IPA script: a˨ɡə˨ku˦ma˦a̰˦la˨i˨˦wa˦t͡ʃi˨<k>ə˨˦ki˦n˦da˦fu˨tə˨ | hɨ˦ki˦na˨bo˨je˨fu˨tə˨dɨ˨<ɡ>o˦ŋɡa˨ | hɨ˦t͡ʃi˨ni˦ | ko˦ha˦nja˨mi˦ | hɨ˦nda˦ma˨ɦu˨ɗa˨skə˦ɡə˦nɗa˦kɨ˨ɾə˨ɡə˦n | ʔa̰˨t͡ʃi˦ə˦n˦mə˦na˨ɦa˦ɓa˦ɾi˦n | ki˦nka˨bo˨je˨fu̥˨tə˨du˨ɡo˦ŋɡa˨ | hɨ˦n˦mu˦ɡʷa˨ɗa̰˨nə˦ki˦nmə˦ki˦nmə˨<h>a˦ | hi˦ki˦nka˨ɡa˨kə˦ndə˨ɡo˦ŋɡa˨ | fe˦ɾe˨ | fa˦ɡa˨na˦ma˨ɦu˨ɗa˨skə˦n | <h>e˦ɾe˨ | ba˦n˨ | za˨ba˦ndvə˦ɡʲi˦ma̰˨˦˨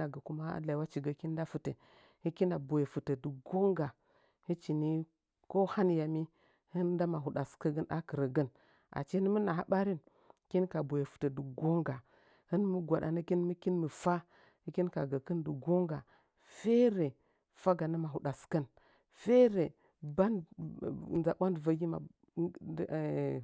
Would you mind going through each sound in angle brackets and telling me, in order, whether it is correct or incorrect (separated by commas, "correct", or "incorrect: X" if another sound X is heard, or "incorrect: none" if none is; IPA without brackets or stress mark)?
incorrect: ɡ, correct, incorrect: f, incorrect: f